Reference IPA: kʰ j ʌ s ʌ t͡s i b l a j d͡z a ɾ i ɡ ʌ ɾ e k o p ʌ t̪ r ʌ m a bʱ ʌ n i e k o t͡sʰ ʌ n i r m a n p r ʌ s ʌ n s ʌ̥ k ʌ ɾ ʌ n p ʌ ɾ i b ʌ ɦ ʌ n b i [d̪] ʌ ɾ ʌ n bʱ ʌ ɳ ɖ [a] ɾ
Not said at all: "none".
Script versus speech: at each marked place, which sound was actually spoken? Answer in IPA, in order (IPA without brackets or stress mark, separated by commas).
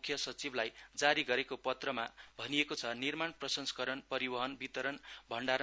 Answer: t̪, a